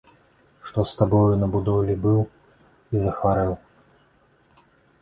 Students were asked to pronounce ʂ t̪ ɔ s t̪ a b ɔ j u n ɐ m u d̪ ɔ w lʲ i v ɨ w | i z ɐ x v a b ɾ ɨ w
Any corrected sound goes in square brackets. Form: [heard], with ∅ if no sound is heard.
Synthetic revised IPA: ʂ t̪ ɔ s t̪ a b ɔ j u n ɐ [b] u d̪ ɔ w lʲ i [b] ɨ w | i z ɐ x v a [∅] ɾ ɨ w